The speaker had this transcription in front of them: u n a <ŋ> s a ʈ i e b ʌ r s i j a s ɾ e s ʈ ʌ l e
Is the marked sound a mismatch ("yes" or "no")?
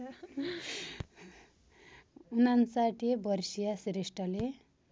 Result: yes